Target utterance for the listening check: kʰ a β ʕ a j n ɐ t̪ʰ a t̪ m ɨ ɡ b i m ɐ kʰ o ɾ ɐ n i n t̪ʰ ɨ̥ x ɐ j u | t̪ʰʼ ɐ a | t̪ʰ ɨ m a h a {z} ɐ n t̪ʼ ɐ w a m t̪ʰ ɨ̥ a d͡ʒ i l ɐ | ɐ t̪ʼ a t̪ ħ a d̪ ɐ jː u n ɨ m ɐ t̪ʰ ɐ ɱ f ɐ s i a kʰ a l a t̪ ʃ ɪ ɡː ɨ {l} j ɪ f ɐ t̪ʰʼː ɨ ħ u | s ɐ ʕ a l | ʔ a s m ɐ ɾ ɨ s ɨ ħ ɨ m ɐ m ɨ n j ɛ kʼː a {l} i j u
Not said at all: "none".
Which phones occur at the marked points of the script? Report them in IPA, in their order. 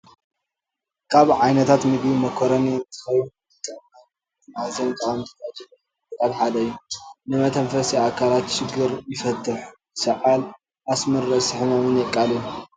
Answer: z, ɾ, l

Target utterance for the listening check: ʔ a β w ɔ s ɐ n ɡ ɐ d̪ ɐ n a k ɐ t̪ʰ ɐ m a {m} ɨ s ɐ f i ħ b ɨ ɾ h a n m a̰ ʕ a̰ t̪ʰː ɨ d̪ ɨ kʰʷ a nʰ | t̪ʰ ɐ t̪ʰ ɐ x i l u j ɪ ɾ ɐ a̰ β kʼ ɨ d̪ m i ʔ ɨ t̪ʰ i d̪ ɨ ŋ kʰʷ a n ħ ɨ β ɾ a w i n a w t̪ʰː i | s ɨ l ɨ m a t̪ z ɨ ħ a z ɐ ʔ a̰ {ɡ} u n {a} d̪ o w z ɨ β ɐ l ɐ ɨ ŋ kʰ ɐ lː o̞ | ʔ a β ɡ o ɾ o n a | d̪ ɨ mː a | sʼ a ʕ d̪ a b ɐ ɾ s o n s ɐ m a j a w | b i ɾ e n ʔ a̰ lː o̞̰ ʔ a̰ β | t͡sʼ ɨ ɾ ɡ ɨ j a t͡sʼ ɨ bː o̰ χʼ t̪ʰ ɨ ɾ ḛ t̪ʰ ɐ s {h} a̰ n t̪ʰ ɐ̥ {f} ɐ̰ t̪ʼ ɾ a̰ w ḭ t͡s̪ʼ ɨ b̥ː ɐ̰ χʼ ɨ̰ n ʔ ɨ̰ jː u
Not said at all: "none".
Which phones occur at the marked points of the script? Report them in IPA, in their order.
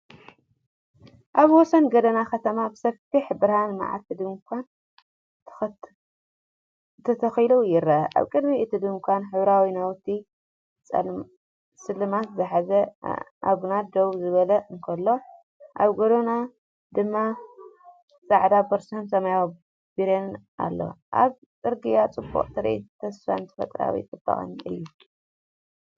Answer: b, ɡ, a, f, f

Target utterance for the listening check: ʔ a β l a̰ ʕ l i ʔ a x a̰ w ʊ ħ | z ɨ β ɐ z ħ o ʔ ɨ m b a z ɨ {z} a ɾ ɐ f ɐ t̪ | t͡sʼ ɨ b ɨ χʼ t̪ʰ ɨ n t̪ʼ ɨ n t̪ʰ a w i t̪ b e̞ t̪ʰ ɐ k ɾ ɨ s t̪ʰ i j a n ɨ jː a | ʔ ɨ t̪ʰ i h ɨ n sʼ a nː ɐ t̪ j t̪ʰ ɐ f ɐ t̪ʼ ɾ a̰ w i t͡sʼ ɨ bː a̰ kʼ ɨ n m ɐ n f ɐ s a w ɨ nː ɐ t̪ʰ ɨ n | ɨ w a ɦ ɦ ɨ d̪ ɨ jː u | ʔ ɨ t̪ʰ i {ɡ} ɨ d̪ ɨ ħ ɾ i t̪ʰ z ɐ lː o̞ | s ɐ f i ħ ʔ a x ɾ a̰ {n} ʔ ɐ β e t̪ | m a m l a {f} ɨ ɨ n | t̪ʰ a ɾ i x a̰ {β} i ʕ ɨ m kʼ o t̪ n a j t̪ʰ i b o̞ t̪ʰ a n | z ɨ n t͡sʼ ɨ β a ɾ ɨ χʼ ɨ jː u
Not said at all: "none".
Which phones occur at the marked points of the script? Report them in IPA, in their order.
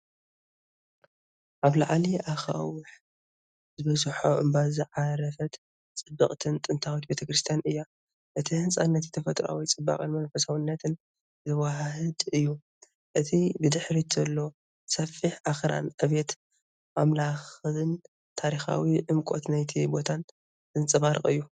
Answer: ʕ, b, n, x, w

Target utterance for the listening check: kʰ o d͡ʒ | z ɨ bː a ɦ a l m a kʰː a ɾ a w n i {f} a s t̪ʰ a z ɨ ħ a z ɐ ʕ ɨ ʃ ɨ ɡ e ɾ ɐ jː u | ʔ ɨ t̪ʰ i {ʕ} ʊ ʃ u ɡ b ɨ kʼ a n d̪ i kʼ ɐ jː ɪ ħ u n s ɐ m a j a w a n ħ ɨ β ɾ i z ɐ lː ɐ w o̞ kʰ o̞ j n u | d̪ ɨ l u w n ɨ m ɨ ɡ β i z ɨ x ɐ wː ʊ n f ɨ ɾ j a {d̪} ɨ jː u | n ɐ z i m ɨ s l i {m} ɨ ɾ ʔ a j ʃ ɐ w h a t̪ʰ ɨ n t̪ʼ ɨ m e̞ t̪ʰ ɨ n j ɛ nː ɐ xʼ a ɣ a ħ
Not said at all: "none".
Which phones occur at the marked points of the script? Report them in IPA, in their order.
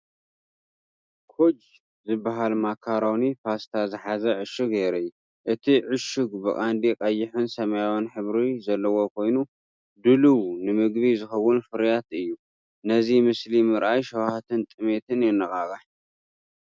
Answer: f, ʕ, t̪, m

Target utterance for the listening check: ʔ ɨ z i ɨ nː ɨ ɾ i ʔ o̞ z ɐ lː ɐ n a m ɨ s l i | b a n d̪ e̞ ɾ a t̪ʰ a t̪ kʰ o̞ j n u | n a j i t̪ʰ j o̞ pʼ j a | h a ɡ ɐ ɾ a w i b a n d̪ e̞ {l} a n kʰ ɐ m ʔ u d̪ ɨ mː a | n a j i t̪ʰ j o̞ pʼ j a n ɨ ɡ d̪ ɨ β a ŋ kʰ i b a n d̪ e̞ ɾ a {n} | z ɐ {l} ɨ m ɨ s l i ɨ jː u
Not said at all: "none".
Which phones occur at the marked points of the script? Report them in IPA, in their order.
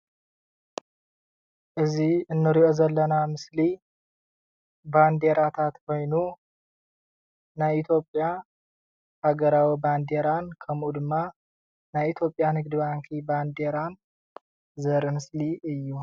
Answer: ɾ, n, ɾ

